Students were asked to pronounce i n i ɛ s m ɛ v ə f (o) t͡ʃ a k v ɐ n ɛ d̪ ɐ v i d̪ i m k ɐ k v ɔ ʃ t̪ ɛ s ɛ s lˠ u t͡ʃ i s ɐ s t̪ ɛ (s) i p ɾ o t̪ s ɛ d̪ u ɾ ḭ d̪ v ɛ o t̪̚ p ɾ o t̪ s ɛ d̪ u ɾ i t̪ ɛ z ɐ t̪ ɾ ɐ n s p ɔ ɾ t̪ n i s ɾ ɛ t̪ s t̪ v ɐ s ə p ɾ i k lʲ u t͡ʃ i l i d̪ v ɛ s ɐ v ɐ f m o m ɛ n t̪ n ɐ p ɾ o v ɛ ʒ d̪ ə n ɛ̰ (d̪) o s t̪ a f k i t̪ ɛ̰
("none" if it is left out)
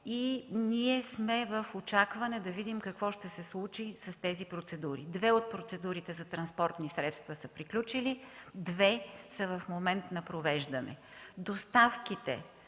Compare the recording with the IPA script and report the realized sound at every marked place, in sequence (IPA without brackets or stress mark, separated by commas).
o, z, d̪